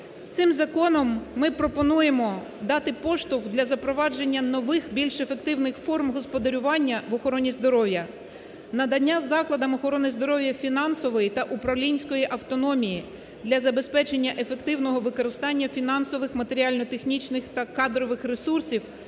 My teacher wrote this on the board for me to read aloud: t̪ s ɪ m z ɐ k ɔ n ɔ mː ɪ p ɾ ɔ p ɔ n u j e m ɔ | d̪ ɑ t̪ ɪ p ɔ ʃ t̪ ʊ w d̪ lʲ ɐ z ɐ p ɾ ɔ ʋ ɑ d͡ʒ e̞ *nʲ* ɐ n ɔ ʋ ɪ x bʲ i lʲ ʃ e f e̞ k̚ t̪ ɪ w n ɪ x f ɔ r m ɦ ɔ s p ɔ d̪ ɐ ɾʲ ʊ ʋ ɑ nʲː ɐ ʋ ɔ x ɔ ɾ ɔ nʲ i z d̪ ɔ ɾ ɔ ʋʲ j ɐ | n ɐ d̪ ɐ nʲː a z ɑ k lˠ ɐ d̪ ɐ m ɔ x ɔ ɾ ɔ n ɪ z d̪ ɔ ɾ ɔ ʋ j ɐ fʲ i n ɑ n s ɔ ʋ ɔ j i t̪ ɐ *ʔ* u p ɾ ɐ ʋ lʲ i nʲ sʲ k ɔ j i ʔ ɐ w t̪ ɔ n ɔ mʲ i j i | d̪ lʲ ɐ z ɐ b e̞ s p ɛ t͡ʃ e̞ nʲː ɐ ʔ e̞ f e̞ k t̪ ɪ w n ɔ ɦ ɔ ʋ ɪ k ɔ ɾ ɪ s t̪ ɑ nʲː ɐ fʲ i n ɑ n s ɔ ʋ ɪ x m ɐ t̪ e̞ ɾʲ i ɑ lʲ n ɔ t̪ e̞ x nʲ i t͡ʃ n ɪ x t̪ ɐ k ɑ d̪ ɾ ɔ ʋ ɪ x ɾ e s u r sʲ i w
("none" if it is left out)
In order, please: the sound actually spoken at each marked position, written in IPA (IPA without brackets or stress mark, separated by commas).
nʲː, ʔ